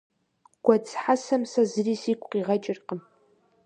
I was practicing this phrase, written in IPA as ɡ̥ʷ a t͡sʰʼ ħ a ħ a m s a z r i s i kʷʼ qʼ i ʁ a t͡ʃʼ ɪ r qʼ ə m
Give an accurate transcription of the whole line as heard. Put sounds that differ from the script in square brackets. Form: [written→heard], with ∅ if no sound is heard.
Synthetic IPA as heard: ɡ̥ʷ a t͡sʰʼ ħ a [ħ→s] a m s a z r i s i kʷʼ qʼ i ʁ a t͡ʃʼ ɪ r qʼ ə m